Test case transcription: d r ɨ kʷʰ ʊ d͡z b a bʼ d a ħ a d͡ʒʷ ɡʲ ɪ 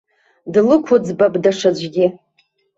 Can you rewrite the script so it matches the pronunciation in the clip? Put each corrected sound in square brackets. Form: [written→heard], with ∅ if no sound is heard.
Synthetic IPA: d [r→l] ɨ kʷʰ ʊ d͡z b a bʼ d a [ħ→ʂ] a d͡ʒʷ ɡʲ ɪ